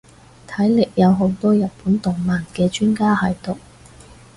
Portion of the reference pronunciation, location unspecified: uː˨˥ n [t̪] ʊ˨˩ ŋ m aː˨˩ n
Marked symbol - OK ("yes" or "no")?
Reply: yes